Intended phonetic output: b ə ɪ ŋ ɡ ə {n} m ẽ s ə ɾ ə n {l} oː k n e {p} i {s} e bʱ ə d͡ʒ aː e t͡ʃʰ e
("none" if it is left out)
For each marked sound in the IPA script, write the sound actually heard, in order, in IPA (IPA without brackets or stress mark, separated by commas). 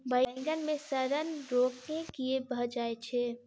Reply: n, ɾ, k, none